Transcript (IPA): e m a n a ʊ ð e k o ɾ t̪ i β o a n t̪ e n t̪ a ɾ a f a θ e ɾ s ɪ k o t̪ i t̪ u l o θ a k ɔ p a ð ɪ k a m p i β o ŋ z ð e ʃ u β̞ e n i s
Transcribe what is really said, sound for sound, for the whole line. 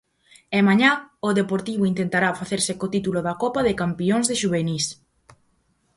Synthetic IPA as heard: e m a ɲ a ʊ ð e p o ɾ t̪ i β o i n t̪ e n t̪ a ɾ a f a θ e ɾ s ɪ k o t̪ i t̪ u l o ð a k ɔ p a ð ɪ k a m p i o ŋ z ð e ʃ u β̞ e n i s